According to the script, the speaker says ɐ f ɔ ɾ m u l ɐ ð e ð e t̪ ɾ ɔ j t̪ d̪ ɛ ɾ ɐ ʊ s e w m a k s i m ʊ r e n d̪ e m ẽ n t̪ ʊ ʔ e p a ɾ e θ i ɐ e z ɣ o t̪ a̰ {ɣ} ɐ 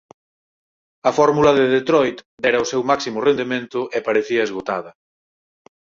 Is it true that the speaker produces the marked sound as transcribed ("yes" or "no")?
no